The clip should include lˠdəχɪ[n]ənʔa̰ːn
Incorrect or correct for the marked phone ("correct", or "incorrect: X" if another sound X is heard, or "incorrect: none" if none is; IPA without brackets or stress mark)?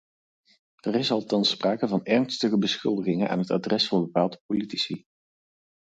incorrect: ŋ